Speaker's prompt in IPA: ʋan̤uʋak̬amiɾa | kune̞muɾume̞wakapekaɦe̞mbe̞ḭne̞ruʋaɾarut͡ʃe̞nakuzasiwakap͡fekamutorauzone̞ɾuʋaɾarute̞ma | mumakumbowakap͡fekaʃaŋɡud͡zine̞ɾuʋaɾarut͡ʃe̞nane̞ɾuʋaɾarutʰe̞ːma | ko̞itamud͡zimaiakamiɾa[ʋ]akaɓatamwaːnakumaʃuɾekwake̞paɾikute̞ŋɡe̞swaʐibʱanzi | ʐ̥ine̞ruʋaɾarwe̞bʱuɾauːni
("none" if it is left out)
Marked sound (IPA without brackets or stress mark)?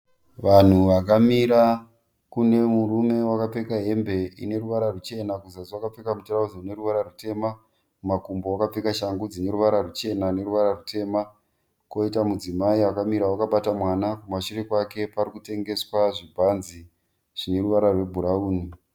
w